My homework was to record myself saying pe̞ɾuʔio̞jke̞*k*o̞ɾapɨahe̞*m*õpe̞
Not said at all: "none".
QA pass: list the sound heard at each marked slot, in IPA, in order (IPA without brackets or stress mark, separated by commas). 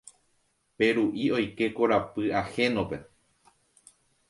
k, n